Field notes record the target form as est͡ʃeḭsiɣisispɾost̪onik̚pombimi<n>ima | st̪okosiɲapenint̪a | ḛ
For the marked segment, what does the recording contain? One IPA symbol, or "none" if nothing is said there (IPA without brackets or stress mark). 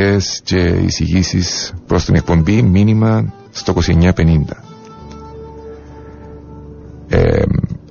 n